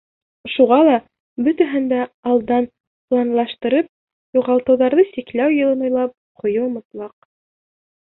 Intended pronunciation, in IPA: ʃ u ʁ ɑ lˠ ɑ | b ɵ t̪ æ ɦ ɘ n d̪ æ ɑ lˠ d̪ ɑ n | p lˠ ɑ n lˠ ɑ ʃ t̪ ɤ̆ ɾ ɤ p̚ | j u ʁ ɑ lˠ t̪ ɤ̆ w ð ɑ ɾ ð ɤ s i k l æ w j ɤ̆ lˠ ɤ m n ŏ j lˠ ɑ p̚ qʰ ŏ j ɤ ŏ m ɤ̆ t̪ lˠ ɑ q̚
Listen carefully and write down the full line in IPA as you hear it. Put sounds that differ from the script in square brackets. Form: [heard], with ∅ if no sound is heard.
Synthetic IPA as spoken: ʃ u ʁ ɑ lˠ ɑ | b ɵ t̪ æ ɦ ɘ n d̪ æ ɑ lˠ d̪ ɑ n | p lˠ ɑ n lˠ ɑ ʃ t̪ ɤ̆ ɾ ɤ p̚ | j u ʁ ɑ lˠ t̪ ɤ̆ w ð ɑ ɾ ð ɤ s i k l æ w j ɤ̆ lˠ ɤ [∅] n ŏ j lˠ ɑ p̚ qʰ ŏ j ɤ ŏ m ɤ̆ t̪ lˠ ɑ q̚